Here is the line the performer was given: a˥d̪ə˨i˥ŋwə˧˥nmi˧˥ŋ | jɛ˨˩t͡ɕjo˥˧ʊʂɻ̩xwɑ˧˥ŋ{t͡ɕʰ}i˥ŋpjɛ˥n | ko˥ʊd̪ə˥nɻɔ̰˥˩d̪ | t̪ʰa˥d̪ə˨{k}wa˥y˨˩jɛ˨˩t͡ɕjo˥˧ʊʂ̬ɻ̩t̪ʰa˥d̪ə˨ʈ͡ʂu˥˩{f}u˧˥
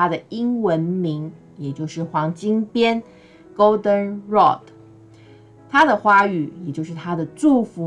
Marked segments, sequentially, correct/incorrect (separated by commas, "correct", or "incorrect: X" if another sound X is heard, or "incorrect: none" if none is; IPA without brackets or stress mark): incorrect: t͡ɕ, incorrect: x, correct